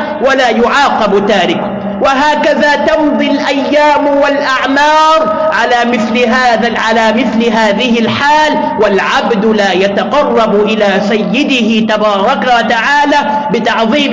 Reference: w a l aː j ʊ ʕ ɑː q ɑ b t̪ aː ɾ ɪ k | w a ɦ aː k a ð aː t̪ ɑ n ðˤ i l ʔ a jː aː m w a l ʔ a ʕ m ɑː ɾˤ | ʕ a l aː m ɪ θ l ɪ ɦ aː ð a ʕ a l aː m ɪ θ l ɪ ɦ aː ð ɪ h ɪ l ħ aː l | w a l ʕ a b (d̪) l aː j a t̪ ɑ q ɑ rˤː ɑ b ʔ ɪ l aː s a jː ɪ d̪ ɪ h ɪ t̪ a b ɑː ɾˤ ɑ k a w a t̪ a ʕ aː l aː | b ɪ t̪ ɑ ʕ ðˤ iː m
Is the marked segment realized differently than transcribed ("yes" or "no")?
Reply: no